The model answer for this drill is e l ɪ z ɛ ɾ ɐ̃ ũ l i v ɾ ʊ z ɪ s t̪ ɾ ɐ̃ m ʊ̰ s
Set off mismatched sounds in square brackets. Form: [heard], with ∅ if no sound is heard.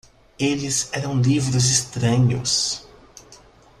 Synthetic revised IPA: e l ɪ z ɛ ɾ ɐ̃ [w̃] l i v ɾ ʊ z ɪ s t̪ ɾ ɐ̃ [ɲ] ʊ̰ s